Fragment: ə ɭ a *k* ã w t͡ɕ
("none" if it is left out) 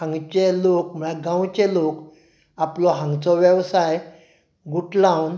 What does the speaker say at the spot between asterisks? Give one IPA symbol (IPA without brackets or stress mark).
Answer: ɡ